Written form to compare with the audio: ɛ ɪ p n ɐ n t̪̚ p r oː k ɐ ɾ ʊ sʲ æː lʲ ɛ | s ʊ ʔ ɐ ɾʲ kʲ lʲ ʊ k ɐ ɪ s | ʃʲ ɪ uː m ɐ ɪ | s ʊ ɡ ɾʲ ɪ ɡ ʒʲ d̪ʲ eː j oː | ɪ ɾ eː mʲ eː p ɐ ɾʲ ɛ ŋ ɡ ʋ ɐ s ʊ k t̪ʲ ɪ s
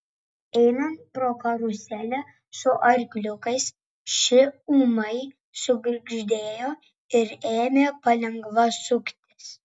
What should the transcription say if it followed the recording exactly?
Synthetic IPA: ɛ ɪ n ɐ n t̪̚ p ɾ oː k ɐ ɾ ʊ sʲ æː lʲ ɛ | s ʊ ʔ ɐ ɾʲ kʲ lʲ ʊ k ɐ ɪ s | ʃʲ ɪ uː m ɐ ɪ | s ʊ ɡ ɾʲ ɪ ɡ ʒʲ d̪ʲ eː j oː | ɪ ɾ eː mʲ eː p ɐ lʲ ɛ ŋ ɡ ʋ ɐ s ʊ k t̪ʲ ɪ s